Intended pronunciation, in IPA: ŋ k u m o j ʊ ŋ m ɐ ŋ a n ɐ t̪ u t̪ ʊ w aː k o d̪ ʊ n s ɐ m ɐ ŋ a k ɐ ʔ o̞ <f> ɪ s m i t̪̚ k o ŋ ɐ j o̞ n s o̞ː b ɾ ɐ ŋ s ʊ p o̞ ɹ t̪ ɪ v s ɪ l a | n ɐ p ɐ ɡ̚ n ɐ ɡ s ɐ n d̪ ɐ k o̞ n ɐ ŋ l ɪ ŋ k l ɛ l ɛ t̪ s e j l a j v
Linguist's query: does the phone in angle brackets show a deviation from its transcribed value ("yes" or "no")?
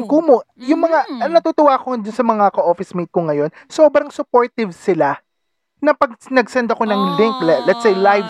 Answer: no